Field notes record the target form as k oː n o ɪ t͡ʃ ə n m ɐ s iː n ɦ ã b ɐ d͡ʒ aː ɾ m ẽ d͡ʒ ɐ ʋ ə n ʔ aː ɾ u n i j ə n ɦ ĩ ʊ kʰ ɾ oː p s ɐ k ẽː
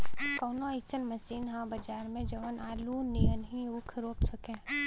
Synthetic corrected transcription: k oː n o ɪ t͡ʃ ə n m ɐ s iː n ɦ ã b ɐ d͡ʒ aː ɾ m ẽ d͡ʒ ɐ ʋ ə n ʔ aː l u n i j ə n ɦ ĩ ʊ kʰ ɾ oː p s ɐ k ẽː